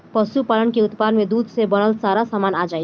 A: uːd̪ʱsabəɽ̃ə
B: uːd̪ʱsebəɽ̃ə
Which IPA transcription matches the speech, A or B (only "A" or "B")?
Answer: B